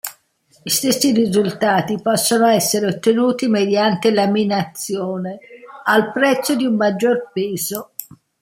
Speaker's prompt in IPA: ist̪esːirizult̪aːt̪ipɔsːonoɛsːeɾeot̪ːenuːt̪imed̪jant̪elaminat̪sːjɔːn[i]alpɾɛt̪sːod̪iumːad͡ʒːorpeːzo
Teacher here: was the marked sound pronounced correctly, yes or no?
no